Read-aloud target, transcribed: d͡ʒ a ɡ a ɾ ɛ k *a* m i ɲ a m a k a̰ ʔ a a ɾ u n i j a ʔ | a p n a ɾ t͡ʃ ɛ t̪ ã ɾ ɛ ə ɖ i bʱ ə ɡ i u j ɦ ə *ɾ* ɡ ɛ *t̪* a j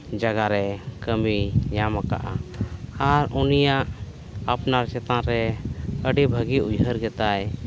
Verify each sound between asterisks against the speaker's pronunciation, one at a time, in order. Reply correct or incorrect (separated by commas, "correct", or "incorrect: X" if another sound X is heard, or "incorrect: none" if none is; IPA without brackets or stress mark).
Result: incorrect: ə, correct, correct